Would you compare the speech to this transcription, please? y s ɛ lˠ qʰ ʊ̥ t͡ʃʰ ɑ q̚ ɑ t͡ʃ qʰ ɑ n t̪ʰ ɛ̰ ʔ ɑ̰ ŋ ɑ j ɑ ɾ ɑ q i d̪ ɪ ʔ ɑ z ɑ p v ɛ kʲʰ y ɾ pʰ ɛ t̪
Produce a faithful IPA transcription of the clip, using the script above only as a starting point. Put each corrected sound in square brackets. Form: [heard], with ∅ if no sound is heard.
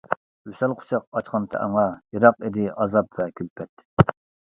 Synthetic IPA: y s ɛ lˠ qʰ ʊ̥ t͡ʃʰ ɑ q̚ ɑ t͡ʃ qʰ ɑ n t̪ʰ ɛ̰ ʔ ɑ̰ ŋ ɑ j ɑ ɾ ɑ q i d̪ ɪ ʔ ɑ z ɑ p v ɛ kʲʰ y [l] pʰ ɛ t̪